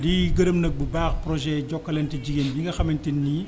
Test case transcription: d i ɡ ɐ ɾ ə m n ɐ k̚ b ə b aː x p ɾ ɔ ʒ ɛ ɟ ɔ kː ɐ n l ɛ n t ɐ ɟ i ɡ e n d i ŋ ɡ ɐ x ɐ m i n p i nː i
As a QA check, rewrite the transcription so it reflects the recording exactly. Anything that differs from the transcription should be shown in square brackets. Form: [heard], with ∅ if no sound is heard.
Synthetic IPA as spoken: d i ɡ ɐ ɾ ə m n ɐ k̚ b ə b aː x p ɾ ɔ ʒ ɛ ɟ ɔ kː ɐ [∅] l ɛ n t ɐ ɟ i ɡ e n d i ŋ ɡ ɐ x ɐ m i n [t] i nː i